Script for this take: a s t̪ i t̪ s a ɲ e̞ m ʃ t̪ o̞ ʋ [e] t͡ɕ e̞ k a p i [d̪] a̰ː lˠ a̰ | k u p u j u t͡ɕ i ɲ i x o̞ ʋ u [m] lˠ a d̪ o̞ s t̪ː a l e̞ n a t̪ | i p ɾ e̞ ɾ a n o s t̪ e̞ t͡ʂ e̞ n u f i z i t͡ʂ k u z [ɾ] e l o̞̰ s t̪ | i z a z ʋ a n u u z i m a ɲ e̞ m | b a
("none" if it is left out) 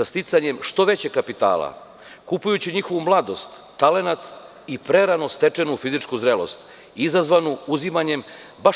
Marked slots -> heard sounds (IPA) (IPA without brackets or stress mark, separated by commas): e, t̪, m, ɾ